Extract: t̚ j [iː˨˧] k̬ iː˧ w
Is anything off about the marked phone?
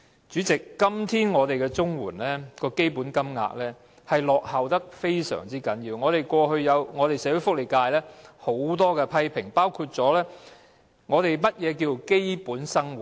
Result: yes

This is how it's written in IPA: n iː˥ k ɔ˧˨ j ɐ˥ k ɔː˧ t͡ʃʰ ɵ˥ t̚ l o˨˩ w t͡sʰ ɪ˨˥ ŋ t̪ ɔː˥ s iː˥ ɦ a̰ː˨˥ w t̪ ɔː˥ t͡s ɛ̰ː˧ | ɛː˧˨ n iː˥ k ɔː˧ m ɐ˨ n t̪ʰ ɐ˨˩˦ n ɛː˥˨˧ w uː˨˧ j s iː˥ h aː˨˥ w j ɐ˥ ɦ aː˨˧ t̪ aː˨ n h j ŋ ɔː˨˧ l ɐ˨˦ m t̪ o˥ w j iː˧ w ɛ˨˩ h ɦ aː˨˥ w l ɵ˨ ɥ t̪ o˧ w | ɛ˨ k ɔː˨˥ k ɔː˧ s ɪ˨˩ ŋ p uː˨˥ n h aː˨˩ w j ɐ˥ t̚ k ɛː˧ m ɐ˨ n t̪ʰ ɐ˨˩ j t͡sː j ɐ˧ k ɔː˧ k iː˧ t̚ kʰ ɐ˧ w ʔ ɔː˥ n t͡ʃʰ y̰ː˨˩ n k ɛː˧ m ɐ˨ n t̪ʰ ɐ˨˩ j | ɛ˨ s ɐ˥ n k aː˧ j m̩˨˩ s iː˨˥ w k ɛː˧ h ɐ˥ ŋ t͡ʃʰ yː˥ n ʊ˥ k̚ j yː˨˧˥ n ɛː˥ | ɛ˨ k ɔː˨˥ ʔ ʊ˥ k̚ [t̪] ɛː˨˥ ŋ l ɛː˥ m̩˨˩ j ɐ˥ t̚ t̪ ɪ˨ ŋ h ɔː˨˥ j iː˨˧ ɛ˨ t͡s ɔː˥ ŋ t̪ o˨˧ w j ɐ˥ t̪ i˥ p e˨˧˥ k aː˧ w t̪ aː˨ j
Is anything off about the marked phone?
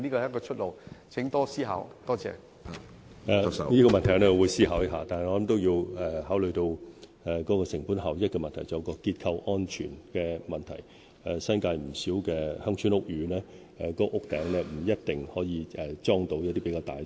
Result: no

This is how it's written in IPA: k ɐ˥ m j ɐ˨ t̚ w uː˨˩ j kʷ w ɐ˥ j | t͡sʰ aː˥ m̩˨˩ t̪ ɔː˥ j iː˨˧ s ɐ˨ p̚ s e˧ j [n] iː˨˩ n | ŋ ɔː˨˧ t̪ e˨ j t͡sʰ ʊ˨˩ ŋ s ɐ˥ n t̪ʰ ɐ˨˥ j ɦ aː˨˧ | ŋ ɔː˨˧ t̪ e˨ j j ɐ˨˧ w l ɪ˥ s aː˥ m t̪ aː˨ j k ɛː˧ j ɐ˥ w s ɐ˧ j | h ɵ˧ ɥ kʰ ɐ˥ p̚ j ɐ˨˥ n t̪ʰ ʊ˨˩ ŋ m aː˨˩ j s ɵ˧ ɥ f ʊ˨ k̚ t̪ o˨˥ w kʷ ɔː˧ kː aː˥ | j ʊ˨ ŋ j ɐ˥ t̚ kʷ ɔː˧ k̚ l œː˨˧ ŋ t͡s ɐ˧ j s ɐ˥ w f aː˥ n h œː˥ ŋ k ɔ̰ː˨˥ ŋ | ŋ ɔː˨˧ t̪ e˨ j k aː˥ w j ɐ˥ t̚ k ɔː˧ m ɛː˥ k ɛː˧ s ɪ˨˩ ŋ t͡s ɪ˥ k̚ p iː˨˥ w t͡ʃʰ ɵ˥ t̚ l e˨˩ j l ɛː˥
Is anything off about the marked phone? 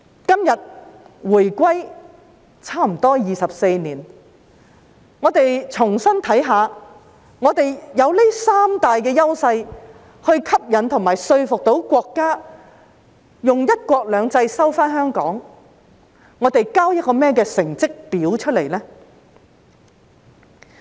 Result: no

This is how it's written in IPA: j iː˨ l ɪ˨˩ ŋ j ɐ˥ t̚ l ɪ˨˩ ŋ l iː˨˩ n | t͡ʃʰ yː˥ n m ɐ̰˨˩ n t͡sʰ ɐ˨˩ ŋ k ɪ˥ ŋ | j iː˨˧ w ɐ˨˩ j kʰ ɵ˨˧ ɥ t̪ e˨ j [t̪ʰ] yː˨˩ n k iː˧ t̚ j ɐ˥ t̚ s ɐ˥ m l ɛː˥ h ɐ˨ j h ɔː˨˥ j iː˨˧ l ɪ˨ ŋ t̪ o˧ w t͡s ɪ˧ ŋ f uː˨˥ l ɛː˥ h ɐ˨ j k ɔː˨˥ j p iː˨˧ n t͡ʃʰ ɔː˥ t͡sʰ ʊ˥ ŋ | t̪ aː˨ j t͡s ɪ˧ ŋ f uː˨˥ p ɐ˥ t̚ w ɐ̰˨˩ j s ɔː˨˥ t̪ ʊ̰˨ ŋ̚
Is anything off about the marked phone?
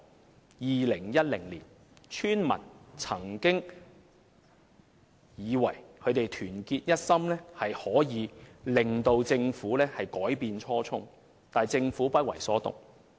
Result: no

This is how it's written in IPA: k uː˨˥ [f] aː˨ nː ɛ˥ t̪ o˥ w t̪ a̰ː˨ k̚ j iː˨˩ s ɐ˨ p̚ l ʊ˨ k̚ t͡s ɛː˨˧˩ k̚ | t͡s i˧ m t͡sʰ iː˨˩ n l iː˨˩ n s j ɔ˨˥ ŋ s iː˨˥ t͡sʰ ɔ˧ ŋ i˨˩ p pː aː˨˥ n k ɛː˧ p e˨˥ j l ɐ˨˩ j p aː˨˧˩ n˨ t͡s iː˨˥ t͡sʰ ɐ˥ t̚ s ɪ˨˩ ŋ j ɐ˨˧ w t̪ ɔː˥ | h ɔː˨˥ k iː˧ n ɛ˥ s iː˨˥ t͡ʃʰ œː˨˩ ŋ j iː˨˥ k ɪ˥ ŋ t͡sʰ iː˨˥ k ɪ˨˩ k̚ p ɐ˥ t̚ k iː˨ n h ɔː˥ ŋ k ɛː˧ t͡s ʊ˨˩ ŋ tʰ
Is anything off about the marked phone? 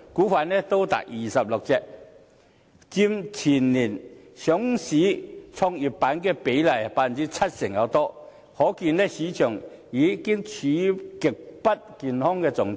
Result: no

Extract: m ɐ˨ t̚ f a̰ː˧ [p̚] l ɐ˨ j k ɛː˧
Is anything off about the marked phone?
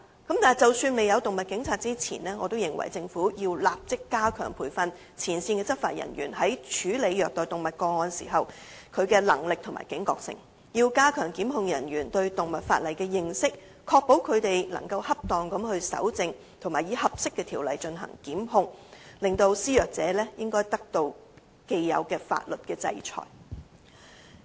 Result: yes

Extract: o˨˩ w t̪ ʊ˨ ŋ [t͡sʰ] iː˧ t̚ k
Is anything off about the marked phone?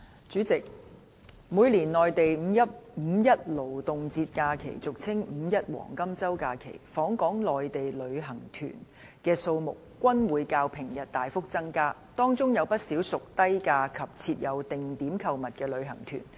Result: yes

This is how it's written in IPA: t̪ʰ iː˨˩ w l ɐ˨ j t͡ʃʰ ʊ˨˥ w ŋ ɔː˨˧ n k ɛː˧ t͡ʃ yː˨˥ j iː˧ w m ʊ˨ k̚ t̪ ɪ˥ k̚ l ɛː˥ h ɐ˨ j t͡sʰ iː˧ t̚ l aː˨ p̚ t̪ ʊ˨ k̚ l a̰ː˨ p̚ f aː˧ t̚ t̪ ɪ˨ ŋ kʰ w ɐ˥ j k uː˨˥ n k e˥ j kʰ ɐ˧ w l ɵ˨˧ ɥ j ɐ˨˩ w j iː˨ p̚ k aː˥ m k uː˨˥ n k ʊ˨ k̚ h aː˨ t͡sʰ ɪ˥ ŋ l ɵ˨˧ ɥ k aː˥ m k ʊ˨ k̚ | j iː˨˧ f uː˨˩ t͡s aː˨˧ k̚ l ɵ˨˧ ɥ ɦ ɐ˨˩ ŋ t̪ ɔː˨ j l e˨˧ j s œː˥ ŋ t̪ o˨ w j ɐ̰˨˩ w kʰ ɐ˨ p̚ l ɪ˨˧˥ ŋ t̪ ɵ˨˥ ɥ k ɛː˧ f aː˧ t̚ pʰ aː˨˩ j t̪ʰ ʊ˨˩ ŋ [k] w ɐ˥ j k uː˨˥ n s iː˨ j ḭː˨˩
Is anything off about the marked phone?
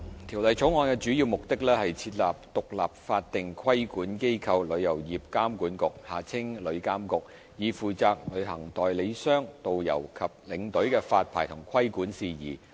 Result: yes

